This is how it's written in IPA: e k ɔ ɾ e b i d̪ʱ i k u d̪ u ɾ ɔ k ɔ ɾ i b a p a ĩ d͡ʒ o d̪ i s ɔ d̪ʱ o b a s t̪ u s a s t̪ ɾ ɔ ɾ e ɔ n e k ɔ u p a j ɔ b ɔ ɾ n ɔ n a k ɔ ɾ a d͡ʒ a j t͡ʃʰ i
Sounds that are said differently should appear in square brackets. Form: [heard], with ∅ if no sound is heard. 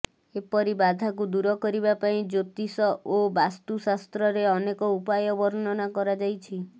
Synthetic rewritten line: e [p] ɔ ɾ [i] b [a] d̪ʱ [a] k u d̪ u ɾ ɔ k ɔ ɾ i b a p a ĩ d͡ʒ o [t̪] i s ɔ [∅] o b a s t̪ u s a s t̪ ɾ ɔ ɾ e ɔ n e k ɔ u p a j ɔ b ɔ ɾ n ɔ n a k ɔ ɾ a d͡ʒ a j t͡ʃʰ i